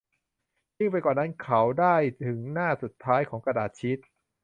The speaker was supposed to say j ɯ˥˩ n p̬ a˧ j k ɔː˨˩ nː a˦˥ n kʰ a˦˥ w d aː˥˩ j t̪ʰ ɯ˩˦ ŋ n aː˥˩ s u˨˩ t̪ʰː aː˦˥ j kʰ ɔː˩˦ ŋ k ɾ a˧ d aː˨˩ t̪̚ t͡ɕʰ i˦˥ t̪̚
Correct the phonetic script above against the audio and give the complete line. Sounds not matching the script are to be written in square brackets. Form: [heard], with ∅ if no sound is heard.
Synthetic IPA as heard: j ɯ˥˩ [ŋ] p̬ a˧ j k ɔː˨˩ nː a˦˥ n kʰ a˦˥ w d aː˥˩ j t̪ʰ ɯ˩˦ ŋ n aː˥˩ s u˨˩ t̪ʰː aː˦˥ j kʰ ɔː˩˦ ŋ k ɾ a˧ d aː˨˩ t̪̚ t͡ɕʰ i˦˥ t̪̚